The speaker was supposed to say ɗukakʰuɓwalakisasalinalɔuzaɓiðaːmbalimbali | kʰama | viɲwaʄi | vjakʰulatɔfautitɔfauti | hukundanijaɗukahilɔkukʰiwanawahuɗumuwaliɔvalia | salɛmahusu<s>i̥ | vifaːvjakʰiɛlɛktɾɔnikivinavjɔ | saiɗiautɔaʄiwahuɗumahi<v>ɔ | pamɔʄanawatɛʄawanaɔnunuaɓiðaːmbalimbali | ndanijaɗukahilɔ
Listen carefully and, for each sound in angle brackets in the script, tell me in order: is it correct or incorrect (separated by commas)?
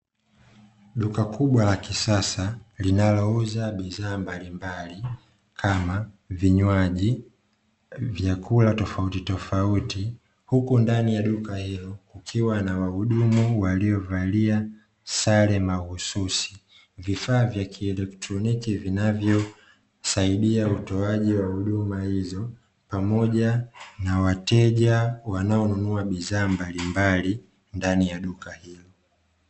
correct, incorrect